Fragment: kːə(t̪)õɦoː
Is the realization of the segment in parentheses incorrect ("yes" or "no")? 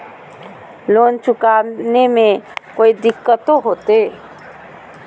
no